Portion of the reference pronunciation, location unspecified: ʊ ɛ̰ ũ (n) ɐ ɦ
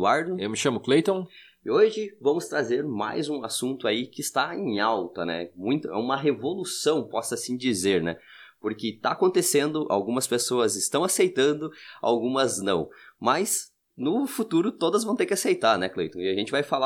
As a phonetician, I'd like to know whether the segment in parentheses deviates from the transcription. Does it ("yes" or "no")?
yes